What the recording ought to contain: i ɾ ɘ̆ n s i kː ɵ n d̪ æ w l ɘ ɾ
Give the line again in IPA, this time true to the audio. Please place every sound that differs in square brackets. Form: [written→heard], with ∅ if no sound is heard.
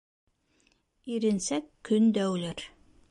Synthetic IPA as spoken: i ɾ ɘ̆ n s [i→æ] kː ɵ n d̪ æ w l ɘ ɾ